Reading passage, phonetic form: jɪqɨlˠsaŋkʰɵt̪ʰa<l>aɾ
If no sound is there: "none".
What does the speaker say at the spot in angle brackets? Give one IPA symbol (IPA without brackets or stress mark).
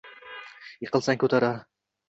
ɾ